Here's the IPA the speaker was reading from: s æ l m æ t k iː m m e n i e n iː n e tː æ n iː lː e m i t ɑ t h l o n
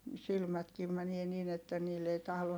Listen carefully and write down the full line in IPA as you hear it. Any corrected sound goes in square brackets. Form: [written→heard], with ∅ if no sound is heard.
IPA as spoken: s [æ→i] l m æ t k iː m m [e→æ] n i e n iː n e tː æ n iː lː e [m→∅] i t ɑ [t→∅] h l o n